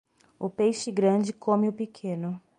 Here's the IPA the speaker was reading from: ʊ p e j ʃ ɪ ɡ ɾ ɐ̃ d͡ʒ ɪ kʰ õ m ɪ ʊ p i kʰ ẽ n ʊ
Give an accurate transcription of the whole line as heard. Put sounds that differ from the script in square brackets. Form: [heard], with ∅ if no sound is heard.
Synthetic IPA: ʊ p e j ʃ ɪ ɡ ɾ ɐ̃ d͡ʒ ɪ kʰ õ m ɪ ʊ p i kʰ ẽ n ʊ